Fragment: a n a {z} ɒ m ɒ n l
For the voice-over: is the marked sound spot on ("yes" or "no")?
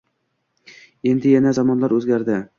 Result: yes